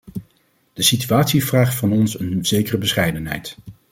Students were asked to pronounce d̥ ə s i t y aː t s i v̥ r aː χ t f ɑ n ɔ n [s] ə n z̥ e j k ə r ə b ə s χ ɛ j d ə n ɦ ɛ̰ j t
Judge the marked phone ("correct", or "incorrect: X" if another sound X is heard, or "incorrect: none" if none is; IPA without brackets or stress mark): correct